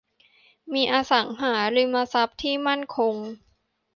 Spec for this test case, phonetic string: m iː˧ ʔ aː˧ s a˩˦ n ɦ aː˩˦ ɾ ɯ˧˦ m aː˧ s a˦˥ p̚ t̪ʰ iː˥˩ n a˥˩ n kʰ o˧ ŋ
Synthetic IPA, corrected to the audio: m iː˧ ʔ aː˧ s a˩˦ ŋ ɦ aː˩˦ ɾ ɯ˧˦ m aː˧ s a˦˥ p̚ t̪ʰ iː˥˩ m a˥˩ n kʰ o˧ ŋ